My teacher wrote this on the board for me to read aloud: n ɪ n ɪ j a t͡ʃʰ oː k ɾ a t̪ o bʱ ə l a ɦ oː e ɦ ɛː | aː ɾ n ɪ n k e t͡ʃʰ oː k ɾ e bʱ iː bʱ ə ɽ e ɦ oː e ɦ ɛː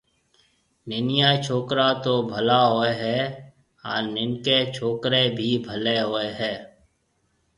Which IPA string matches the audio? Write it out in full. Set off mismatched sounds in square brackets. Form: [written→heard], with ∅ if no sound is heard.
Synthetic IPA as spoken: n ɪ n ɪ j a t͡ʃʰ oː k ɾ a t̪ o bʱ ə l a ɦ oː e ɦ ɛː | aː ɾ n ɪ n k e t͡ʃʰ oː k ɾ e bʱ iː bʱ ə [ɽ→l] e ɦ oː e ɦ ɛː